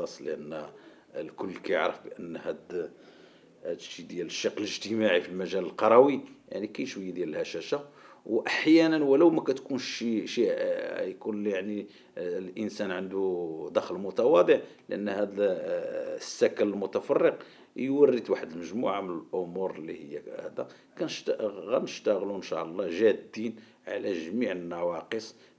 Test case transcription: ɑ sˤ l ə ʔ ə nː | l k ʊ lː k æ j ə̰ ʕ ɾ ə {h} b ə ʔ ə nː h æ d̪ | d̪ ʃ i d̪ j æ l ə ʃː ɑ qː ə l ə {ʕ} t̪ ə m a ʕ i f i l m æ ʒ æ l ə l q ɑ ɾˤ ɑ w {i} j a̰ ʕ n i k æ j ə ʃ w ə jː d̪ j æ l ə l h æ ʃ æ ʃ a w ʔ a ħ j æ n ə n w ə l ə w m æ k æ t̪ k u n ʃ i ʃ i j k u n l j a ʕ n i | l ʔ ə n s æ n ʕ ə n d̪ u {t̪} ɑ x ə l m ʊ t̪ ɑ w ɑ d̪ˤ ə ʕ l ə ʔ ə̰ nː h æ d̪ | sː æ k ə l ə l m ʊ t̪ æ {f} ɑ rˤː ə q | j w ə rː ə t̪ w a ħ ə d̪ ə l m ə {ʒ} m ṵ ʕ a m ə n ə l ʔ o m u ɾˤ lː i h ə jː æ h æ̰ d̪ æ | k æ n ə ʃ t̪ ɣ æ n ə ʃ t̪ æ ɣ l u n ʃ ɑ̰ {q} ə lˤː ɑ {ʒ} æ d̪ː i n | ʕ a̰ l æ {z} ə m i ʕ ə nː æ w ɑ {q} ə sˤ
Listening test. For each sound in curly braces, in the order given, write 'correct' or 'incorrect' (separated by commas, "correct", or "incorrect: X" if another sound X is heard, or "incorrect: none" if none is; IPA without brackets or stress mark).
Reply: incorrect: f, incorrect: ʒ, correct, incorrect: d̪, correct, correct, incorrect: ʔ, correct, incorrect: ʒ, correct